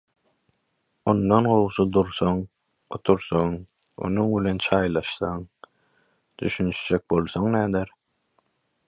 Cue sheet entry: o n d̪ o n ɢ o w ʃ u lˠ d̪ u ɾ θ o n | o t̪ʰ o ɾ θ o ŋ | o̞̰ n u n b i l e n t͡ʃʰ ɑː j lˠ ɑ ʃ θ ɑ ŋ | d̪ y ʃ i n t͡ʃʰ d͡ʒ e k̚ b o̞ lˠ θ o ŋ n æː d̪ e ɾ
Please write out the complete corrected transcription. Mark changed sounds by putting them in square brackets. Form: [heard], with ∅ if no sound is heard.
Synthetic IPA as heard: o n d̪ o n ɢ o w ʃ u [∅] d̪ u ɾ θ o [ŋ] | o t̪ʰ [u] ɾ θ o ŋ | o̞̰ n u [ŋ] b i l e n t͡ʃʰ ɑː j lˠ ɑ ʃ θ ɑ ŋ | d̪ y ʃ [y] n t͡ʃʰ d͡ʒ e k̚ b o̞ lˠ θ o ŋ n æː d̪ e ɾ